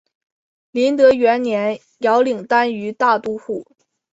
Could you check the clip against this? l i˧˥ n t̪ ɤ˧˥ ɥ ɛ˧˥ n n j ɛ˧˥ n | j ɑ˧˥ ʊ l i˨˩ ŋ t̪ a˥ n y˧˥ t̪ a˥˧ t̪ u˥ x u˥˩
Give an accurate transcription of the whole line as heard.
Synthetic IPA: l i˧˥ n t̪ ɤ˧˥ ɥ ɛ˧˥ n n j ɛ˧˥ n | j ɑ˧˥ ʊ l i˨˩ ŋ t̪ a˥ n y˧˥ t̪ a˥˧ t̪ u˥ x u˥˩

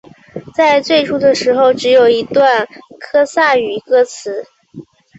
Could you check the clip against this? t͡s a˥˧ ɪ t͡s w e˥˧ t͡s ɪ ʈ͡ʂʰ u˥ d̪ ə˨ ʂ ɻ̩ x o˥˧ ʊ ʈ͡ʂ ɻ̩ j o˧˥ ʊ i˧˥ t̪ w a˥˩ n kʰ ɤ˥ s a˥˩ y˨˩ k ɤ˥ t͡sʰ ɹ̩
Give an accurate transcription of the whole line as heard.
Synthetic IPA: t͡s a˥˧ ɪ t͡s w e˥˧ ɪ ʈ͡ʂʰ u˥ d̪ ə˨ ʂ ɻ̩ x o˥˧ ʊ ʈ͡ʂ ɻ̩ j o˨˩ ʊ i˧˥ t̪ w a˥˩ n kʰ ɤ˥ s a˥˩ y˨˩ k ɤ˥ t͡sʰ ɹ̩

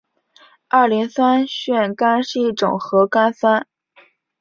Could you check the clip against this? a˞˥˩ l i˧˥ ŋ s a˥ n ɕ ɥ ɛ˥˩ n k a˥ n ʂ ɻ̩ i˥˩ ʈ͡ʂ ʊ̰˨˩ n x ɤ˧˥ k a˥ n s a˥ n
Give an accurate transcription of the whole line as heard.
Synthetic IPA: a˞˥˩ l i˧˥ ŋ s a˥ n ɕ ɥ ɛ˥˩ n k a˥ n ʂ ɻ̩ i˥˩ ʈ͡ʂ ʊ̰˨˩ ŋ x ɤ˧˥ k a˥ n s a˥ n

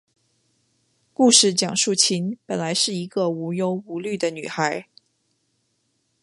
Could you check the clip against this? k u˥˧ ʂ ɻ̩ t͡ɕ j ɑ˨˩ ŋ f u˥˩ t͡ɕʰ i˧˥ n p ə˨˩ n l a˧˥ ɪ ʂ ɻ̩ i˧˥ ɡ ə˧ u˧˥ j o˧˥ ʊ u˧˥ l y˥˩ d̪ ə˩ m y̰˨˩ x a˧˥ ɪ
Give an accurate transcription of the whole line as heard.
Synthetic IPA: k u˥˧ ʂ ɻ̩ t͡ɕ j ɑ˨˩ ŋ ʂ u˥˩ t͡ɕʰ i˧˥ n p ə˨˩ n l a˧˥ ɪ ʂ ɻ̩ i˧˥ ɡ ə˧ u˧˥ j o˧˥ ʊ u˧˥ l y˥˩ d̪ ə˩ n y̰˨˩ x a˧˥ ɪ

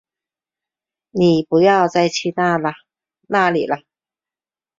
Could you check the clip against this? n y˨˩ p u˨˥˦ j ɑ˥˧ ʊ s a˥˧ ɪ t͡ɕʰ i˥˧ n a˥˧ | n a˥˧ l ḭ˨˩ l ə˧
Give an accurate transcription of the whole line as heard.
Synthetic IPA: n i˨˩ p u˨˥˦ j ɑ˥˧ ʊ t͡s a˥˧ ɪ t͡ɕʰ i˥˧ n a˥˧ | n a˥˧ l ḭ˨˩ l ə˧

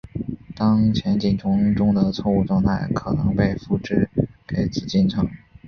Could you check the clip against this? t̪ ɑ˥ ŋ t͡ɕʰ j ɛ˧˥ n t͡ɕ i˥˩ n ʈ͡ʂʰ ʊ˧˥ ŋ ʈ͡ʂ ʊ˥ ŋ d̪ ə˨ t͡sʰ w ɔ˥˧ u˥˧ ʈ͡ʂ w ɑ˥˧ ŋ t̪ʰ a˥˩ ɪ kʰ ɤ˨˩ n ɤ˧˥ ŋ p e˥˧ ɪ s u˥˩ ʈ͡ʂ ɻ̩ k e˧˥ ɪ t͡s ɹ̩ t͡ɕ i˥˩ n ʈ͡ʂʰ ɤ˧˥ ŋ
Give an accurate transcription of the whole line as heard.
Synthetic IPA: t̪ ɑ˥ ŋ t͡ɕʰ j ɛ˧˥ n t͡ɕ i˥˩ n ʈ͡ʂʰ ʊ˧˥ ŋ ʈ͡ʂ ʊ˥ ŋ d̪ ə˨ t͡sʰ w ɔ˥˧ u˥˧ ʈ͡ʂ w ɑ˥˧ ŋ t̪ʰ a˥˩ ɪ kʰ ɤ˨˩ n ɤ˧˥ ŋ p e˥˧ ɪ f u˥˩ ʈ͡ʂ ɻ̩ k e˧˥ ɪ t͡s ɹ̩ t͡ɕ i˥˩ n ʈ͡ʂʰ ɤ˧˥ ŋ

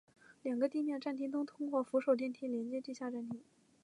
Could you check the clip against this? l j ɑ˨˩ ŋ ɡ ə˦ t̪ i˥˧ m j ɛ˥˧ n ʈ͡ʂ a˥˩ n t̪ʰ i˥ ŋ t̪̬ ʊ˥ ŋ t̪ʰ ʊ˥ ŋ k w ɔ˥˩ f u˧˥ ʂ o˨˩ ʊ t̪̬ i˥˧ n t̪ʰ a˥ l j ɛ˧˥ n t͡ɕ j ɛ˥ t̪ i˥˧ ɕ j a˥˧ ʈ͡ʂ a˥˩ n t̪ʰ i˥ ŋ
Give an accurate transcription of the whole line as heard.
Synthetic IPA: l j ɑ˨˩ ŋ ɡ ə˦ t̪ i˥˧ m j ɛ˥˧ n ʈ͡ʂ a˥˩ n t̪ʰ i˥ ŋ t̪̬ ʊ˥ ŋ t̪ʰ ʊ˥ ŋ k w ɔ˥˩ f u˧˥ ʂ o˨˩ ʊ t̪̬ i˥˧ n t̪ʰ i˥ l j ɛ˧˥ n t͡ɕ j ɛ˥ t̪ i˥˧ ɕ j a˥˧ ʈ͡ʂ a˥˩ n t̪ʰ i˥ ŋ

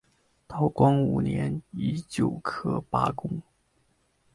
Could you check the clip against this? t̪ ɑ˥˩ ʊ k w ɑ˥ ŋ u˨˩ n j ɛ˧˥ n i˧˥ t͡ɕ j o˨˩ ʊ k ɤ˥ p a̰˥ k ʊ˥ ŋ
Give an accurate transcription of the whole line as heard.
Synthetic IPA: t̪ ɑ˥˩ ʊ k w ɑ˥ ŋ u˨˩ n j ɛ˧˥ n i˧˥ t͡ɕ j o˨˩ ʊ kʰ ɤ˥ p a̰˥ k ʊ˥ ŋ

